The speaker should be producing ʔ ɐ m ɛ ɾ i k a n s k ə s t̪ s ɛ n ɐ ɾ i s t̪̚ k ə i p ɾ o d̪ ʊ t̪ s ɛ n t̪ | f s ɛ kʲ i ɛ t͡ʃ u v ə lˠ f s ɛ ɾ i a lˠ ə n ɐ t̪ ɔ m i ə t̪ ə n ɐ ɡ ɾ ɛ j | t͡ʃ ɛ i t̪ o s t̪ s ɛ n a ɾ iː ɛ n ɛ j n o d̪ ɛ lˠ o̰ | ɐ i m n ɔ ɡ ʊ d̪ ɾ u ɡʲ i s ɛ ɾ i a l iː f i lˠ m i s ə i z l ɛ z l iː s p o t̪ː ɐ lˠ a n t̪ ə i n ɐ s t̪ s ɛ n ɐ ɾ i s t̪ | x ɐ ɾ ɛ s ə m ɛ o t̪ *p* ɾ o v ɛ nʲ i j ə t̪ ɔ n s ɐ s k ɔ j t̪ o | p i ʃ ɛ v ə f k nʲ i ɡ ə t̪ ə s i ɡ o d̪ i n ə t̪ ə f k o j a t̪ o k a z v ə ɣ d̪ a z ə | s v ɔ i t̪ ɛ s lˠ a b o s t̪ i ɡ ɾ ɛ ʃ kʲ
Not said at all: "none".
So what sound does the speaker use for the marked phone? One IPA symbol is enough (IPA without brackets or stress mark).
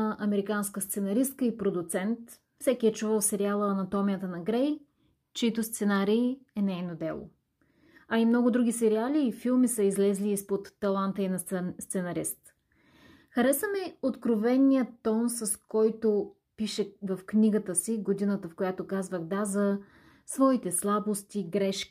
k